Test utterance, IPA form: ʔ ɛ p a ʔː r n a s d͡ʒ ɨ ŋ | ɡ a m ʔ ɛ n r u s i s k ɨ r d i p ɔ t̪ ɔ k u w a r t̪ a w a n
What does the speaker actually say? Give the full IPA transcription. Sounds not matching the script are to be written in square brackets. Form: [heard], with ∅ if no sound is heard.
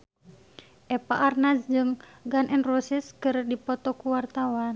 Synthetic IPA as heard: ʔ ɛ p a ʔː r n a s d͡ʒ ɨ ŋ | ɡ a [n] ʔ ɛ n r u s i s k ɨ r d i p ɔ t̪ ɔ k u w a r t̪ a w a n